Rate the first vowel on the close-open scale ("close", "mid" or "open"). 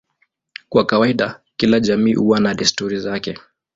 open